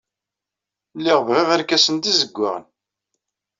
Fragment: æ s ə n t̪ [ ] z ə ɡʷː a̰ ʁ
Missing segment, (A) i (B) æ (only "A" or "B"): A